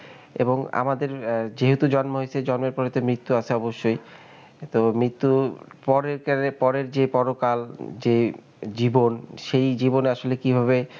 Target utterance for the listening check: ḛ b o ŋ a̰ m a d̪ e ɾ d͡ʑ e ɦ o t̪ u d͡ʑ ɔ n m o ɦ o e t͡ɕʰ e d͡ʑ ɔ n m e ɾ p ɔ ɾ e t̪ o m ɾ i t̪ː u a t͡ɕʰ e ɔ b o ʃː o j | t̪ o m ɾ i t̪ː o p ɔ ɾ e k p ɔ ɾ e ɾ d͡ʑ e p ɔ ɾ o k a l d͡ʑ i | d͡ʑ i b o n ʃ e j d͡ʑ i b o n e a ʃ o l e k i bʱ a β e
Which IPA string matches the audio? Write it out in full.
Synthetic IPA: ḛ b o ŋ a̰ m a d̪ e ɾ d͡ʑ e ɦ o t̪ u d͡ʑ ɔ n m o ɦ o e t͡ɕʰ e d͡ʑ ɔ n m e ɾ p ɔ ɾ e t̪ o m ɾ i t̪ː u a t͡ɕʰ e ɔ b o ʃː o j | t̪ o m ɾ i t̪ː u p ɔ ɾ e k p ɔ ɾ e ɾ d͡ʑ e p ɔ ɾ o k a l d͡ʑ e | d͡ʑ i b o n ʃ e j d͡ʑ i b o n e a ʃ o l e k i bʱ a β e

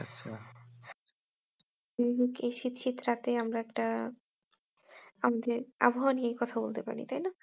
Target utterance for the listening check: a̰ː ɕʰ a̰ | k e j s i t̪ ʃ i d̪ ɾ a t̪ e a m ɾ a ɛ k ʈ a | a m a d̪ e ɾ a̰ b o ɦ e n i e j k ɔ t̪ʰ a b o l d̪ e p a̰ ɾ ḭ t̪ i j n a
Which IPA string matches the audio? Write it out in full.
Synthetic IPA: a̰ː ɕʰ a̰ | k e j ʃ i t̪ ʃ i t̪ ɾ a t̪ e a m ɾ a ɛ k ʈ a | a m a d̪ e ɾ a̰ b o ɦ a n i e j k ɔ t̪ʰ a b o l t̪ e p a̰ ɾ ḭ t̪ a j n a

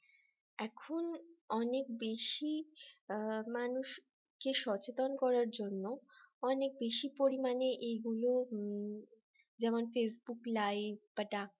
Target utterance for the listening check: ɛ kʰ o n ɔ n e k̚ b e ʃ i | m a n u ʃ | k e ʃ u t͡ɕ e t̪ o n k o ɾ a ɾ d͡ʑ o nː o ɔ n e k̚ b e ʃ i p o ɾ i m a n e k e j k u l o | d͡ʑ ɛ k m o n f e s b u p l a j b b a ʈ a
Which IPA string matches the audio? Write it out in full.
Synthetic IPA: ɛ kʰ o n ɔ n e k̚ b e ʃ i | m a n u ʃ | k e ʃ ɔ t͡ɕ e t̪ o n k ɔ ɾ a ɾ d͡ʑ o nː o ɔ n e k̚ b e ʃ i p o ɾ i m a n e ʔ e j ɡ u l o | d͡ʑ ɛ m o n f e s b u k l a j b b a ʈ a

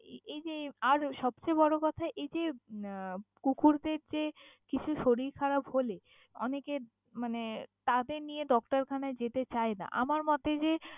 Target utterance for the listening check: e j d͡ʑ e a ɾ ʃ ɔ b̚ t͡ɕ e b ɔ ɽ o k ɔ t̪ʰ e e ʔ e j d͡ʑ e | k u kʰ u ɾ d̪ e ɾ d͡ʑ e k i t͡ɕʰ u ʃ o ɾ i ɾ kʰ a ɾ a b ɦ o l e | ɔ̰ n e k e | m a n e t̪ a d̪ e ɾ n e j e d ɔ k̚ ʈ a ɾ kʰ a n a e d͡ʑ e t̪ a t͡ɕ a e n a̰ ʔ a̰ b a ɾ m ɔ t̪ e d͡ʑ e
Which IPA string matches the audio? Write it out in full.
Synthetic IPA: e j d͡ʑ e a ɾ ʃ ɔ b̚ t͡ɕ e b ɔ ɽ o k ɔ t̪ʰ a e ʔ e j d͡ʑ e | k u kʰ u ɾ d̪ e ɾ d͡ʑ e k i t͡ɕʰ u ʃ o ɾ i ɾ kʰ a ɾ a b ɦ o l e | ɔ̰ n e k e | m a n e t̪ a d̪ e ɾ n i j e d ɔ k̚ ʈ a ɾ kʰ a n a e d͡ʑ e t̪ e t͡ɕ a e n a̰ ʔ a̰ m a ɾ m ɔ t̪ e d͡ʑ e

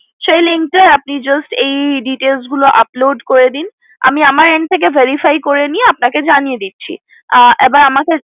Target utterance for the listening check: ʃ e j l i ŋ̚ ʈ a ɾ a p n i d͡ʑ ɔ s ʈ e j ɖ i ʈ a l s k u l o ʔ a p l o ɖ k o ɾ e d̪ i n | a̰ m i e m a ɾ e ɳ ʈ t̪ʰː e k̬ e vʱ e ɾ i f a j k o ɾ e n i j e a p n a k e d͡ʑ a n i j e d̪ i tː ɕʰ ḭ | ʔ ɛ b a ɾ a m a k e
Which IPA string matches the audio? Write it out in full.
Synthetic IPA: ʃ e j l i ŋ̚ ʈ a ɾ a p n i d͡ʑ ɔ s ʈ e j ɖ i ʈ e l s ɡ u l o ʔ a p l o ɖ k o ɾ e d̪ i n | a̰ m i a m a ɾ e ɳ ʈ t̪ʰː e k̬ e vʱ e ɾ i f a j k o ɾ e n i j e a p n a k e d͡ʑ a n i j e d̪ i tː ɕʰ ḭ | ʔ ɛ b a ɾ a m a k e

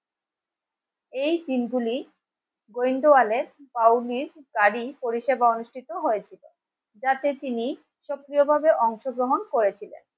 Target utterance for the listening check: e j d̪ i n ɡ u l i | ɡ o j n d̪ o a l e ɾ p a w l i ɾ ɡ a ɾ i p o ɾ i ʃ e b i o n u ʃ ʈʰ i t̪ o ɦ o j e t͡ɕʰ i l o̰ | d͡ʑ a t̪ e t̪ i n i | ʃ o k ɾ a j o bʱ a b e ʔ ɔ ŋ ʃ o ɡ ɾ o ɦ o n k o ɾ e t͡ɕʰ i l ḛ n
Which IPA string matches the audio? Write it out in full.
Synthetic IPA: e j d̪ i n ɡ u l i | ɡ o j n d̪ o a l e ɾ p a w l i ɾ ɡ a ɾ i p o ɾ i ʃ e b a o n u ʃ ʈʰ i t̪ o ɦ o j e t͡ɕʰ i l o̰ | d͡ʑ a t̪ e t̪ i n i | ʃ o k ɾ i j o bʱ a b e ʔ ɔ ŋ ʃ o ɡ ɾ o ɦ o n k o ɾ e t͡ɕʰ i l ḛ n

